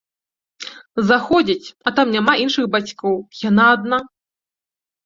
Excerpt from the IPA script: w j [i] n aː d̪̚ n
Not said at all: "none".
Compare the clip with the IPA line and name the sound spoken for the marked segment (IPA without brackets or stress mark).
a